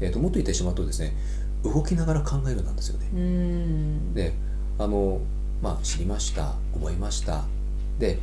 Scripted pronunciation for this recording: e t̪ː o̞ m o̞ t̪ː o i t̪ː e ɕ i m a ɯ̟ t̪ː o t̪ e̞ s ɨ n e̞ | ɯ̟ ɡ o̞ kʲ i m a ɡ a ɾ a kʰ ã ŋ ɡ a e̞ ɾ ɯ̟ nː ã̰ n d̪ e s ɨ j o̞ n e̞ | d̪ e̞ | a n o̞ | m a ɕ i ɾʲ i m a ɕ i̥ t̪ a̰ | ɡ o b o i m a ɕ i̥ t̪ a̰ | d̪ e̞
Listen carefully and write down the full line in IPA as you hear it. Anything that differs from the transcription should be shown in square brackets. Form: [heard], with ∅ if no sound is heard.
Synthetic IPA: e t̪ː o̞ m o̞ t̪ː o i t̪ː e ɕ i m a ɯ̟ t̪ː o [d̪] e̞ s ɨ n e̞ | ɯ̟ ɡ o̞ kʲ i [n] a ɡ a ɾ a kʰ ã ŋ ɡ a e̞ ɾ ɯ̟ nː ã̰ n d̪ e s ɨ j o̞ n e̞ | d̪ e̞ | a n o̞ | m a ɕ i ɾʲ i m a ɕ i̥ t̪ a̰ | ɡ o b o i m a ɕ i̥ t̪ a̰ | d̪ e̞